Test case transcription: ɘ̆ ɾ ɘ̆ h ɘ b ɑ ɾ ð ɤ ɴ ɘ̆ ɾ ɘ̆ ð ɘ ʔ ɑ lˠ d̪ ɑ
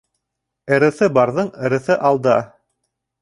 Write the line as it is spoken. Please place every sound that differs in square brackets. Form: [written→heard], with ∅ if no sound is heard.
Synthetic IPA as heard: ɘ̆ ɾ ɘ̆ [h→θ] ɘ b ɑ ɾ ð ɤ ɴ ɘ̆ ɾ ɘ̆ [ð→θ] ɘ ʔ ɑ lˠ d̪ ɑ